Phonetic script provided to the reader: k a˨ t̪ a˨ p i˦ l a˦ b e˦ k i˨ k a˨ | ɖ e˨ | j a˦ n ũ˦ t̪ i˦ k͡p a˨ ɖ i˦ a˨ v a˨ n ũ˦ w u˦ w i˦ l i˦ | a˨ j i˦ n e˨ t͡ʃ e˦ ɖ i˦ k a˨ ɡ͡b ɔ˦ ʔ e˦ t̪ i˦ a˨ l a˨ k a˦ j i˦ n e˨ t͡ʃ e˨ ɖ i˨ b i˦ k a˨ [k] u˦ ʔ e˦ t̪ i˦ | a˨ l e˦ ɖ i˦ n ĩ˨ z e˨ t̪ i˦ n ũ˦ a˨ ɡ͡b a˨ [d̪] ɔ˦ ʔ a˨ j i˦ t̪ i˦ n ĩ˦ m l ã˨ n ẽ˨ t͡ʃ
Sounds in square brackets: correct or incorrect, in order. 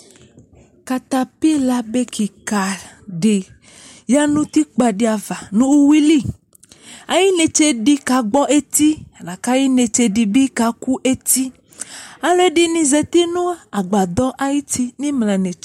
correct, correct

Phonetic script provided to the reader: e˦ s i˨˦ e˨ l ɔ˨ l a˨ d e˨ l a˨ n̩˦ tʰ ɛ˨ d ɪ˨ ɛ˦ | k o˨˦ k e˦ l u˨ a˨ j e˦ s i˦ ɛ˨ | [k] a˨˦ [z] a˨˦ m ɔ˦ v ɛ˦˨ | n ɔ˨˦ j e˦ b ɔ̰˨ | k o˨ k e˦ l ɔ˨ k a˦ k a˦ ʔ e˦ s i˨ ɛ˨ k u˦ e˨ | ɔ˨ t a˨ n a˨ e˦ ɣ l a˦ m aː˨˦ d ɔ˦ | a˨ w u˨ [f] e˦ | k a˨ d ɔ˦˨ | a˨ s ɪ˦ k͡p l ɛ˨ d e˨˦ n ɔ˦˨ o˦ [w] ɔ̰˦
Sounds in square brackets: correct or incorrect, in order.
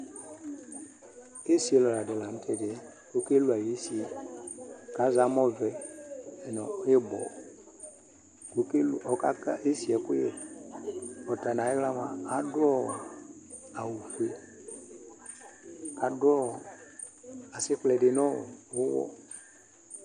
correct, correct, correct, correct

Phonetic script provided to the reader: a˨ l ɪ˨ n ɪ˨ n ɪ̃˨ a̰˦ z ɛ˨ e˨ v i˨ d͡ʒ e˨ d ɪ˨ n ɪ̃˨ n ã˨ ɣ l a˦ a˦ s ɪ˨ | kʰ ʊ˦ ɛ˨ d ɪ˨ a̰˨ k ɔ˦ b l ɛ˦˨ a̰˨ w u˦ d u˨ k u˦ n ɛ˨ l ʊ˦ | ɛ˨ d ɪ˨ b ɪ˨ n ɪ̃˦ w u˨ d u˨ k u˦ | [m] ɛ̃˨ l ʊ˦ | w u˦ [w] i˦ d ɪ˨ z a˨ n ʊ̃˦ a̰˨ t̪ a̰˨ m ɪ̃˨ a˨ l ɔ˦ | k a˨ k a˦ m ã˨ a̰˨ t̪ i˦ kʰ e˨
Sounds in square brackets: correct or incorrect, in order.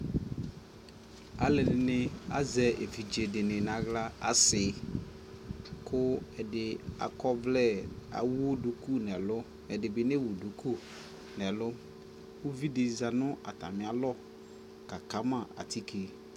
incorrect: n, incorrect: v

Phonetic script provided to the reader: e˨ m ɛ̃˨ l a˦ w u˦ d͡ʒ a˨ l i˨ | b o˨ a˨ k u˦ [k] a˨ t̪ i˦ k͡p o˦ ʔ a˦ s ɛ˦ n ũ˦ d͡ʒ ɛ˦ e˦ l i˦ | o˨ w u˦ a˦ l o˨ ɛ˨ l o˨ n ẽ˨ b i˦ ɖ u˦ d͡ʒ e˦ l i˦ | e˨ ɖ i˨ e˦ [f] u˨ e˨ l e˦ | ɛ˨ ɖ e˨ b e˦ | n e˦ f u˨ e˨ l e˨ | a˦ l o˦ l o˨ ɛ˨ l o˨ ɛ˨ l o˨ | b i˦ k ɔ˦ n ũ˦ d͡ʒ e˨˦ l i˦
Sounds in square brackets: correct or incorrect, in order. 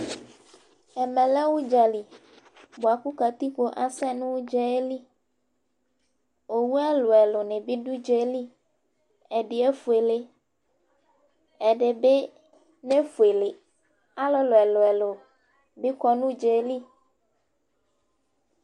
correct, correct

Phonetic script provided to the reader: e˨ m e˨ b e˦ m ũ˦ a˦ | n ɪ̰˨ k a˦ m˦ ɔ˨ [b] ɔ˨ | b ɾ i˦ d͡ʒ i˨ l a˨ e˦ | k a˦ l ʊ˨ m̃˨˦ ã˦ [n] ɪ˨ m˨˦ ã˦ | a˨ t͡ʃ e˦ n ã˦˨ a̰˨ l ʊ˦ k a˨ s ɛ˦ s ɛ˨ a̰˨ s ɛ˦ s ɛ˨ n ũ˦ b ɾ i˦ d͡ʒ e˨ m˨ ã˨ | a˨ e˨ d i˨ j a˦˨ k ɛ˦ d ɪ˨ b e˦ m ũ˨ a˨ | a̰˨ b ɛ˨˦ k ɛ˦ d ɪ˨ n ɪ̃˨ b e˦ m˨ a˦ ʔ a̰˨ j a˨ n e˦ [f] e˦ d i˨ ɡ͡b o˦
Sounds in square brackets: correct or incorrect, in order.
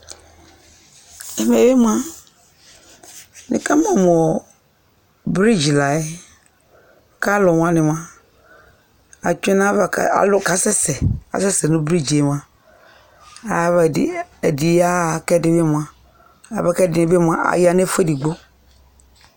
incorrect: m, correct, correct

